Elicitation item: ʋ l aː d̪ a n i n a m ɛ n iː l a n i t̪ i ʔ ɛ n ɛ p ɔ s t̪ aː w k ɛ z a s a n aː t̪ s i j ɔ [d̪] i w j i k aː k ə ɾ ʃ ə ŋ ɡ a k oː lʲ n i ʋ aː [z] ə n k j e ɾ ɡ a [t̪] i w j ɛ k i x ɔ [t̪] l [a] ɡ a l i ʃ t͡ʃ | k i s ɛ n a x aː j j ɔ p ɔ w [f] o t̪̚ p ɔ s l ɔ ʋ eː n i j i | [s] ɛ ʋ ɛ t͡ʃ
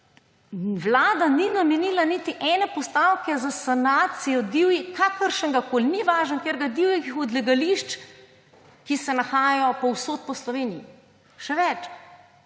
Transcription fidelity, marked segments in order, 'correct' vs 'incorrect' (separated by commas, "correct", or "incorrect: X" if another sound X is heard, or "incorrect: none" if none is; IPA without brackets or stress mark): correct, incorrect: ʒ, incorrect: d̪, incorrect: d̪, incorrect: ɛ, incorrect: s, incorrect: ʃ